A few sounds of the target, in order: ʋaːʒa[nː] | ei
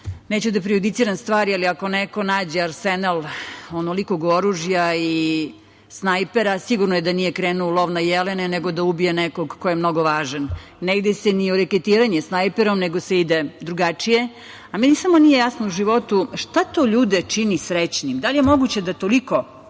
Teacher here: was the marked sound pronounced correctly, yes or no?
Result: yes